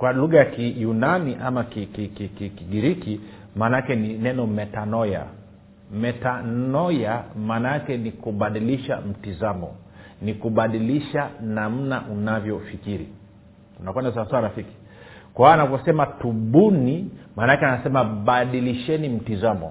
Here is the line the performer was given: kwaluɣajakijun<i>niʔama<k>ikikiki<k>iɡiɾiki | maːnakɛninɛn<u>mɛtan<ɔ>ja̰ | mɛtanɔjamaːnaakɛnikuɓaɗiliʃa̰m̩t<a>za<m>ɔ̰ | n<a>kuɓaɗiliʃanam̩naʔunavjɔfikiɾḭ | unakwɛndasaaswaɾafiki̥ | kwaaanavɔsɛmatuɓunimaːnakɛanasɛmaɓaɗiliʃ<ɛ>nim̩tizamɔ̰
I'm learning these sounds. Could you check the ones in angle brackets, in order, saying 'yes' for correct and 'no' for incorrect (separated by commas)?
no, yes, yes, no, yes, no, yes, no, yes